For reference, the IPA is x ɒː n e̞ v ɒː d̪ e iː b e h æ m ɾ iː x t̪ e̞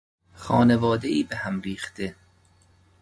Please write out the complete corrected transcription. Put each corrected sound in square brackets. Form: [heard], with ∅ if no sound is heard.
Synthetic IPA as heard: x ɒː n e̞ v ɒː d̪ e iː b e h æ m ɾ iː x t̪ e̞